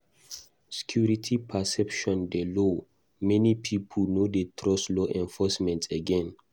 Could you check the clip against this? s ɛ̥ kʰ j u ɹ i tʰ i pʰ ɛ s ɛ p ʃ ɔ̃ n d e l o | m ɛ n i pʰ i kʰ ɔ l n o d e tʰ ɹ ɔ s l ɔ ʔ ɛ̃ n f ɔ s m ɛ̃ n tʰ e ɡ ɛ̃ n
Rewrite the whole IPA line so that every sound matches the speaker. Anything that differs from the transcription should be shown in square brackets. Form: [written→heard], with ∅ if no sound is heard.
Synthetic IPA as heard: s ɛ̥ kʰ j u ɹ i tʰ i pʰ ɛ s ɛ p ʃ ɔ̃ n d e l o | m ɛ n i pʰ i [kʰ→pʰ] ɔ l n o d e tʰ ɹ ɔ s l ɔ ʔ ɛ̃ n f ɔ s m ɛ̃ n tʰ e ɡ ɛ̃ n